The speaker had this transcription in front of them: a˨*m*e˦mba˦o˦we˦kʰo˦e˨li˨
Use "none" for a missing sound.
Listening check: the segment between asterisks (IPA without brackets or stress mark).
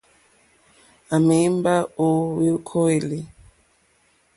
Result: m